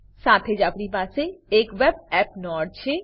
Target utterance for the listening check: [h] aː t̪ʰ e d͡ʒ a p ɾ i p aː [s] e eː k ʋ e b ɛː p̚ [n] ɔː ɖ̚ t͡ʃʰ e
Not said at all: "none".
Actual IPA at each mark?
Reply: s, s, n

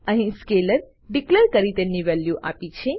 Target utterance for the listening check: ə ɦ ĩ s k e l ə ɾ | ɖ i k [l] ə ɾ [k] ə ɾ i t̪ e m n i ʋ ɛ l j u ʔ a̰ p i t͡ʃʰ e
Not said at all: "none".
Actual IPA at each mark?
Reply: l, k

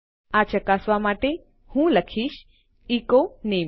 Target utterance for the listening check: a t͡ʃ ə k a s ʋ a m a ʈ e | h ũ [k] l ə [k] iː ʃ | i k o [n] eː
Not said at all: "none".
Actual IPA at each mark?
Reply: none, kʰ, n

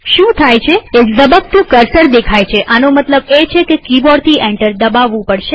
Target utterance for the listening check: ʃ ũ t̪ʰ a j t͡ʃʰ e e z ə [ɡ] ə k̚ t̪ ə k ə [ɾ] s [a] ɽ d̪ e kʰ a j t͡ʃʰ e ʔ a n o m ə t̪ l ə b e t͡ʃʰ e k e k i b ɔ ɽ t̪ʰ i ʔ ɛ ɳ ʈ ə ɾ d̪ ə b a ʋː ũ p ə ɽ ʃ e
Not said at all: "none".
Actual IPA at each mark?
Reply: b, ɾ, ə

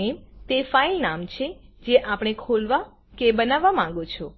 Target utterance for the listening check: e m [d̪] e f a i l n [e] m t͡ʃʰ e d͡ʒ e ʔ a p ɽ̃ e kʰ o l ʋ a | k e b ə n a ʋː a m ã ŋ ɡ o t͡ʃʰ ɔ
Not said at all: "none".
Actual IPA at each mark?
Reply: t̪, a

